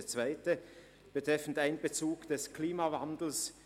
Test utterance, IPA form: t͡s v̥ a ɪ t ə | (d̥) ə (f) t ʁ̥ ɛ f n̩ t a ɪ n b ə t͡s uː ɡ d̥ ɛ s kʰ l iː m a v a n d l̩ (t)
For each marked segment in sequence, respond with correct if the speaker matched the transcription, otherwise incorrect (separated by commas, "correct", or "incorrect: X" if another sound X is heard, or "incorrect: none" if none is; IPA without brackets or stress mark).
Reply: incorrect: b̥, incorrect: none, incorrect: s